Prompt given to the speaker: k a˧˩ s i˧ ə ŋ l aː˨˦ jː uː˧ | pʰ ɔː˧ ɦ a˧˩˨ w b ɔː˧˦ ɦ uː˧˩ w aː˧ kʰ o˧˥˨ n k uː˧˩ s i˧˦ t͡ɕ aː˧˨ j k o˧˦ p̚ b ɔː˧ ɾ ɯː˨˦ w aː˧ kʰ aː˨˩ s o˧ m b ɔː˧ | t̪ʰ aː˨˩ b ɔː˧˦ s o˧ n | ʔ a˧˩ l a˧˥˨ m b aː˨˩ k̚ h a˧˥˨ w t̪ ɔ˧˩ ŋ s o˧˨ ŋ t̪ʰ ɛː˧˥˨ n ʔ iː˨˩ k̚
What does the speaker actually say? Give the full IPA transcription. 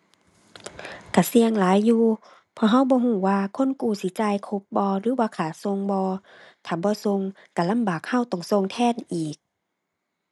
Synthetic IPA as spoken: k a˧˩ s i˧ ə ŋ l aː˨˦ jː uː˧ | pʰ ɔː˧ ɦ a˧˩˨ w b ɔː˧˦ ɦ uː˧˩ w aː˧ kʰ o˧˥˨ n k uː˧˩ s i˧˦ t͡ɕ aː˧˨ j kʰ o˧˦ p̚ b ɔː˧ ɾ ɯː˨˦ w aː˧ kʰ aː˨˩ s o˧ ŋ b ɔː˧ | t̪ʰ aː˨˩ b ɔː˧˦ s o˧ ŋ | k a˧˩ l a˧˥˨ m b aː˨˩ k̚ h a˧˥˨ w t̪ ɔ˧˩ ŋ s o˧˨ ŋ t̪ʰ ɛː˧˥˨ n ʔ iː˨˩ k̚

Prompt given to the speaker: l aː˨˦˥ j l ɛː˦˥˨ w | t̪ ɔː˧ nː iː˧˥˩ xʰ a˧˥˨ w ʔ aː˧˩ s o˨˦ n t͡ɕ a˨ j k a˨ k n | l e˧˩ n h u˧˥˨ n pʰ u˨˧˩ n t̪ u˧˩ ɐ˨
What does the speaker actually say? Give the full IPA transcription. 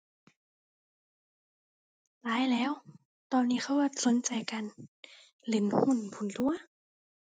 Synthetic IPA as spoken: l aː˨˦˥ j l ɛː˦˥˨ w | t̪ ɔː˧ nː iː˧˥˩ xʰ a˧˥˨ w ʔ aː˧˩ s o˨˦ n t͡ɕ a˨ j k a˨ n | l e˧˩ n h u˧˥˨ n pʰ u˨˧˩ n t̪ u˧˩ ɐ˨

